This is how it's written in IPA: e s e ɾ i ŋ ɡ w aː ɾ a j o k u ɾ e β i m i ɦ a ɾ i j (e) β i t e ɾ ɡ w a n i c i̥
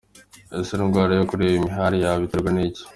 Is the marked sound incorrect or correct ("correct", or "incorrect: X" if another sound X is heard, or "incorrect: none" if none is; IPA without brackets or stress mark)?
incorrect: a